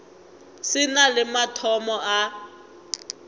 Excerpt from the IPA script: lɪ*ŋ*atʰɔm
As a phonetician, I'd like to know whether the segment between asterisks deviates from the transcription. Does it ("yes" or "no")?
yes